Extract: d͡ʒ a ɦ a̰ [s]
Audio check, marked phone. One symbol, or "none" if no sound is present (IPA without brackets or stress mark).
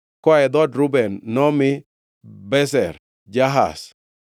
s